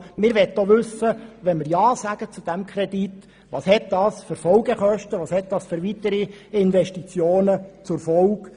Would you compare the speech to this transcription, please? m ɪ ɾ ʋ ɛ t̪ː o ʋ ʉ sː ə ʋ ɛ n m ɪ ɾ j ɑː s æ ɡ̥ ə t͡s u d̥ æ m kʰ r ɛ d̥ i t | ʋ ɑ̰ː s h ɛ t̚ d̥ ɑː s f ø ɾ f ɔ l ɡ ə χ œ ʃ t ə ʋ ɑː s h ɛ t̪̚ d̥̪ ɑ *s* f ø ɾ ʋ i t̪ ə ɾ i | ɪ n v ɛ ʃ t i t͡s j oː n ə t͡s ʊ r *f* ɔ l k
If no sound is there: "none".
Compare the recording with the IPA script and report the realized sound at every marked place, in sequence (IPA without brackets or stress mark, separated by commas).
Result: s, f